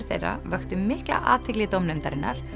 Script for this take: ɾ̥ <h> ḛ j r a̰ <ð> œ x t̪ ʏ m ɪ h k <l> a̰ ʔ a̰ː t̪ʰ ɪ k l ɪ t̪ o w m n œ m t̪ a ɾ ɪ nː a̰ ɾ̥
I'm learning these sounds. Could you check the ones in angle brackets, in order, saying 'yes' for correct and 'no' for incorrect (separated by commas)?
no, no, yes